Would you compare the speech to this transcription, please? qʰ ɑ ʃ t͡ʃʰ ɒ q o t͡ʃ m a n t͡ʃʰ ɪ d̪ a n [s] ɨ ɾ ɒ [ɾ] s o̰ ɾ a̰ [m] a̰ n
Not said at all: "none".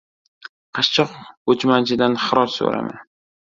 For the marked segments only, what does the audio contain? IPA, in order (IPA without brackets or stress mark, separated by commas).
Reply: χ, ɾ, m